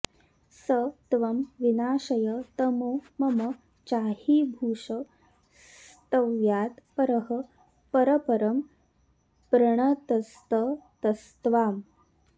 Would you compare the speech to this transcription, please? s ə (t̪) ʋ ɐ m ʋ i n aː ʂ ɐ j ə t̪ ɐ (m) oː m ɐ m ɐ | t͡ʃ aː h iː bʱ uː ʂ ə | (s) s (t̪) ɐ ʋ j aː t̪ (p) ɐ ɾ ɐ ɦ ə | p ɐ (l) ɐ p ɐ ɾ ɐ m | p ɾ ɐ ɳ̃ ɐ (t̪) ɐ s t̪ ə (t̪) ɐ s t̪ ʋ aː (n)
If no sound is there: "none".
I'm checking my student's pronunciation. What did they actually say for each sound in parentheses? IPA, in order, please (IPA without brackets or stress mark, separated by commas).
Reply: t̪, m, s, t̪, p, ɾ, t̪, t̪, m